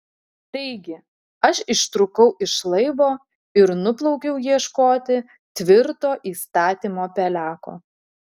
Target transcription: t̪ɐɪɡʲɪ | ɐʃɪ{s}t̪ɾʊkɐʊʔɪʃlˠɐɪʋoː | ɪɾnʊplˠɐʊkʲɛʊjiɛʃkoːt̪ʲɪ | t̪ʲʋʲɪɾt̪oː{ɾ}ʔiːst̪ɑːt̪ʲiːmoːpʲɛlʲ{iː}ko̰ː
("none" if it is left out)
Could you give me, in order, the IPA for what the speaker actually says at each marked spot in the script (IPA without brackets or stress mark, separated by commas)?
ʃ, none, æː